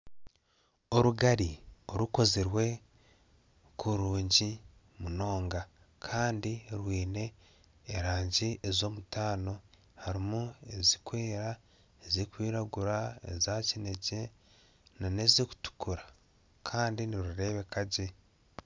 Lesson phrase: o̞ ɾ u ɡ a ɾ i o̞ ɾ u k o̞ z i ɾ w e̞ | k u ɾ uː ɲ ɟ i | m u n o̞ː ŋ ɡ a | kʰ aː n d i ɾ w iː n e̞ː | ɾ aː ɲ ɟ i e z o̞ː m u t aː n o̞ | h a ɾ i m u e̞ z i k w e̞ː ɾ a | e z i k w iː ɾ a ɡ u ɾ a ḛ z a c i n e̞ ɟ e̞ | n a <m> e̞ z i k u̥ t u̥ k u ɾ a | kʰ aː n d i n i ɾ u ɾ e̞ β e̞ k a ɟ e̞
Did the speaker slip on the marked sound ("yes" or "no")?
yes